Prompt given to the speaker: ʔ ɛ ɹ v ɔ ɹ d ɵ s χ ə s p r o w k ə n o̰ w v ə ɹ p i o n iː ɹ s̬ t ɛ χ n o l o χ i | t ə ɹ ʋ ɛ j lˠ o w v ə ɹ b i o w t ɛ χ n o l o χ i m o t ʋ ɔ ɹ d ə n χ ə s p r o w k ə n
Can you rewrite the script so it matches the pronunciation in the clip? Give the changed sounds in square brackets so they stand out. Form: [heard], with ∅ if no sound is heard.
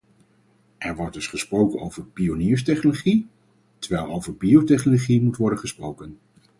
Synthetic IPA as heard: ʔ ɛ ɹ [ʋ] ɔ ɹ d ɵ s χ ə s p r o w k ə n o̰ w v ə ɹ p i o n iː ɹ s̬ t ɛ χ n o l o χ i | t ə ɹ ʋ ɛ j lˠ o w v ə ɹ b i o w t ɛ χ n o l o χ i m [u] t ʋ ɔ ɹ d ə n χ ə s p r o w k ə n